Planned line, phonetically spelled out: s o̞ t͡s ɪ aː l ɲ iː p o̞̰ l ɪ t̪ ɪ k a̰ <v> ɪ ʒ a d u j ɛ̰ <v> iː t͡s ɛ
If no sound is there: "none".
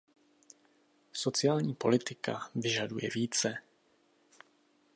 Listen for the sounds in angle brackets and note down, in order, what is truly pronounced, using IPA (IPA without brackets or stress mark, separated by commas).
v, v